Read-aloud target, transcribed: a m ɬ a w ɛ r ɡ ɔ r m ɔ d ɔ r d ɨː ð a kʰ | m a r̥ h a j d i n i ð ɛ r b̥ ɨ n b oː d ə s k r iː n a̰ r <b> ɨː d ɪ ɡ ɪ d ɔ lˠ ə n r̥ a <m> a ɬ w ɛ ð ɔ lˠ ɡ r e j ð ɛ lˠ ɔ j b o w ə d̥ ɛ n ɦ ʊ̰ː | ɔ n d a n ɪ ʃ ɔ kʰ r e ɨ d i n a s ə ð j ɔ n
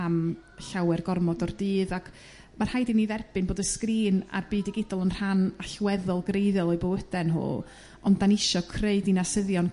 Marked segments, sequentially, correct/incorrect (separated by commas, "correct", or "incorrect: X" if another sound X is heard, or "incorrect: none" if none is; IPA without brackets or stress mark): correct, incorrect: n